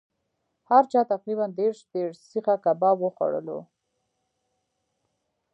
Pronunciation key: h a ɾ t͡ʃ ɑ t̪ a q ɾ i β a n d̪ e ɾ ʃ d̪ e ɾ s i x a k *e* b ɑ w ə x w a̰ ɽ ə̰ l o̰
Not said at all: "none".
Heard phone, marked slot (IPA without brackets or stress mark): a